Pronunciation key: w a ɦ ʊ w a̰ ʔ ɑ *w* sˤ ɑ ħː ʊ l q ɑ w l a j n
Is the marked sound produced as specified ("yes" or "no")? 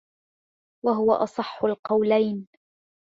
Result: no